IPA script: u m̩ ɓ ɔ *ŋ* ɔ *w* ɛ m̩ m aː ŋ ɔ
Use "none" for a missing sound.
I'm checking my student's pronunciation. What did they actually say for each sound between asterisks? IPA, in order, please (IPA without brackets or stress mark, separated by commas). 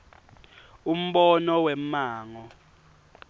n, w